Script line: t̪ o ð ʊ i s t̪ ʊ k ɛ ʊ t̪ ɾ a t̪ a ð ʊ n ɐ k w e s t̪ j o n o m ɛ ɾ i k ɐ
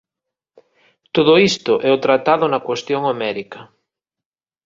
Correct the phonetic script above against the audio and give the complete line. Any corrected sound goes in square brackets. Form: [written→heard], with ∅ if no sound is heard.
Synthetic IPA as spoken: t̪ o ð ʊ i s t̪ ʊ [k→ʔ] ɛ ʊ t̪ ɾ a t̪ a ð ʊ n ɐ k w e s t̪ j o [n→ŋ] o m ɛ ɾ i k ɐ